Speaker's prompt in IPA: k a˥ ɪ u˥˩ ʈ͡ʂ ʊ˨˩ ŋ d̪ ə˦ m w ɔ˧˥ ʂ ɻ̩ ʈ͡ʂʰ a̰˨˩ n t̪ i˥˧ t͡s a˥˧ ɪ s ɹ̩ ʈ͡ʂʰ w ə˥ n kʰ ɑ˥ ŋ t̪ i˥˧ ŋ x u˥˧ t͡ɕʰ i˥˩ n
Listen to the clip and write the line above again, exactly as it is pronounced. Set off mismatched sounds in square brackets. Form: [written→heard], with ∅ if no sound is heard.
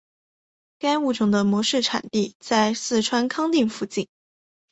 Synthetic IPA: k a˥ ɪ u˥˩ ʈ͡ʂ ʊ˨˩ ŋ d̪ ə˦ m w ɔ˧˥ ʂ ɻ̩ ʈ͡ʂʰ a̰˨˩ n t̪ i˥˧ t͡s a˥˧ ɪ s ɹ̩ ʈ͡ʂʰ w [ə˥→a˥] n kʰ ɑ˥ ŋ t̪ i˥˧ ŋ [x→f] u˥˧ [t͡ɕʰ→t͡ɕ] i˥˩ n